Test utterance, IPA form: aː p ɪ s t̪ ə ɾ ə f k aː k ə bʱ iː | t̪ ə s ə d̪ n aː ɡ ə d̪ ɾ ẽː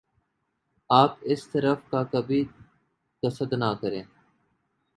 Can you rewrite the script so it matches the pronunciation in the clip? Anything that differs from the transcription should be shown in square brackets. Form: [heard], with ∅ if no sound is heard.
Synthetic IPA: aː p ɪ s t̪ ə ɾ ə f k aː k ə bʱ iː | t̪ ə s ə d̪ n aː [k] ə [∅] ɾ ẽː